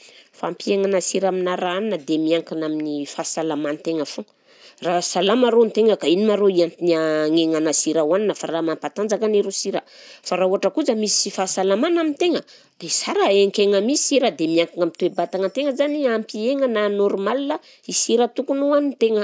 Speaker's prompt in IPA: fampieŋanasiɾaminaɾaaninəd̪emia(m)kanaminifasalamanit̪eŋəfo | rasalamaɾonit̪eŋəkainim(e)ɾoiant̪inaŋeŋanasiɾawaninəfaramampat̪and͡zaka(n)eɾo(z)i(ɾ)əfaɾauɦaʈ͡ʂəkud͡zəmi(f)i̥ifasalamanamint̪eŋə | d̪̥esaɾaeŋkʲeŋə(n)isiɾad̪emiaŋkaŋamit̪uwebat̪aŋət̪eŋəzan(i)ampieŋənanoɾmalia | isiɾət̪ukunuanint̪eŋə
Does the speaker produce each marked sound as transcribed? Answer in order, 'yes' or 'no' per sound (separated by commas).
no, no, yes, no, yes, no, no, yes